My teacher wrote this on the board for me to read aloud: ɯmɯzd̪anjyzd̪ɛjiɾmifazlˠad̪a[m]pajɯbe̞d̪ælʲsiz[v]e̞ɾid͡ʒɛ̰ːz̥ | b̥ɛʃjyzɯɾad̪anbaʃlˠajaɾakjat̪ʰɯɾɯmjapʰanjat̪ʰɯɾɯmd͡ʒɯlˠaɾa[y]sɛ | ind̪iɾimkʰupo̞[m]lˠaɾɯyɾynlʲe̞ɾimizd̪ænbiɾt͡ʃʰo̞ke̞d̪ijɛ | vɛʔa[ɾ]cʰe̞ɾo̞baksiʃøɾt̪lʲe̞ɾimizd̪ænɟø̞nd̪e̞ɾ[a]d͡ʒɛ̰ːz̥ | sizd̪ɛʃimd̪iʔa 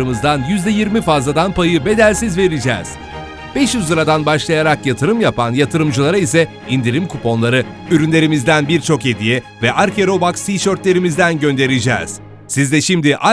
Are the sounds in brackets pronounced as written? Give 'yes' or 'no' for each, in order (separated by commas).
no, yes, no, no, yes, no